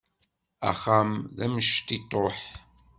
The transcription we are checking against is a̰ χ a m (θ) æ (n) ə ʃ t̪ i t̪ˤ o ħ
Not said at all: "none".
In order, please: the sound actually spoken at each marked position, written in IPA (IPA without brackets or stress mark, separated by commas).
ð, m